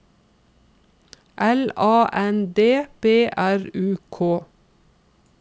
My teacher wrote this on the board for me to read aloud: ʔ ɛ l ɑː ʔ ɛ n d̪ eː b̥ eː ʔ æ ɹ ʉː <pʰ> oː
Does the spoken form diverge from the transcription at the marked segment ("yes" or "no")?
yes